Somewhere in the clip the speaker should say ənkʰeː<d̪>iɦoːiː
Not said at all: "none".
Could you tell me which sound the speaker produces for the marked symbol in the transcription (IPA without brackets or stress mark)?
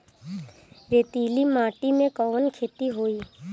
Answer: t̪